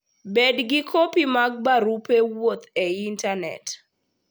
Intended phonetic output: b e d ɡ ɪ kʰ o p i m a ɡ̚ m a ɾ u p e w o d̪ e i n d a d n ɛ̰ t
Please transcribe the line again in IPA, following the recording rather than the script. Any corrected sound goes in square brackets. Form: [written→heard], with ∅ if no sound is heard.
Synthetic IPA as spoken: b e d ɡ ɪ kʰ o p i m a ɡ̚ [m→b] a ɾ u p e w o [d̪→t̪] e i n [d→t] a [d→∅] n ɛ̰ t